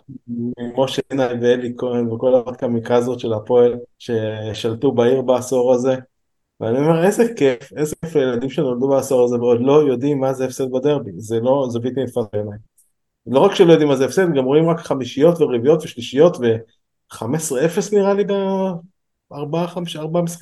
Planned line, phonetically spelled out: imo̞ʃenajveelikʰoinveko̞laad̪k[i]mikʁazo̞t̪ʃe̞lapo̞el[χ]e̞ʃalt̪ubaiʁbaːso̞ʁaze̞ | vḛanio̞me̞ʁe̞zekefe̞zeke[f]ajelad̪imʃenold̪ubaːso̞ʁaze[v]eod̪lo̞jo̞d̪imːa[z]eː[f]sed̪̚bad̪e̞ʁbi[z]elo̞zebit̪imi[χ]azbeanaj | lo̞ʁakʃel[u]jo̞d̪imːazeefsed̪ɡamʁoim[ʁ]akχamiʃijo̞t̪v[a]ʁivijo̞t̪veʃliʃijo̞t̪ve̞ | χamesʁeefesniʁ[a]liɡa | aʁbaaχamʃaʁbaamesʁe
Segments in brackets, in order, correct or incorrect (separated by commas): incorrect, incorrect, correct, correct, correct, correct, correct, incorrect, incorrect, correct, incorrect, correct